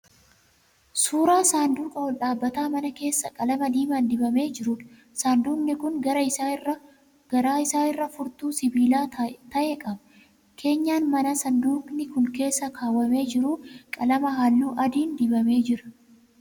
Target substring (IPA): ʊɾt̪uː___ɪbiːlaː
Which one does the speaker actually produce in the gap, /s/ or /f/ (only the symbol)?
s